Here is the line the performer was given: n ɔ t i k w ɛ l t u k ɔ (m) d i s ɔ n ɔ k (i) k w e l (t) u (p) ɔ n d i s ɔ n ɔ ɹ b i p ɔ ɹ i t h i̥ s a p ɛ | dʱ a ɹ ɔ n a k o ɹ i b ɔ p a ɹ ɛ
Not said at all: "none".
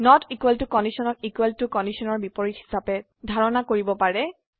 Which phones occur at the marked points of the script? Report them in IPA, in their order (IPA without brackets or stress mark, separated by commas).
n, i, t, k